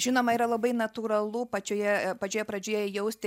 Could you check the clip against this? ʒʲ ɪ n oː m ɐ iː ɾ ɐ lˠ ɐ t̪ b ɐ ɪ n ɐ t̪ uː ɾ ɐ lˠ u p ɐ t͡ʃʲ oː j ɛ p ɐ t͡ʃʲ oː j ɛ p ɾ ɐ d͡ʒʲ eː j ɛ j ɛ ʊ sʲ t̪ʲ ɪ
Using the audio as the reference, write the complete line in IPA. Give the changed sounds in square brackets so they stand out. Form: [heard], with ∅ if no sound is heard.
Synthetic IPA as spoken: ʒʲ ɪ n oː m ɐ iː ɾ ɐ lˠ ɐ [∅] b ɐ ɪ n ɐ t̪ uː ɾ ɐ lˠ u p ɐ t͡ʃʲ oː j ɛ p ɐ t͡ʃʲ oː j ɛ p ɾ ɐ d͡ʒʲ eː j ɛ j ɛ ʊ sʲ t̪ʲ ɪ